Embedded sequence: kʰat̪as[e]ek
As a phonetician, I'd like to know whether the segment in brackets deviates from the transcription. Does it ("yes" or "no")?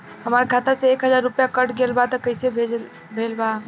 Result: no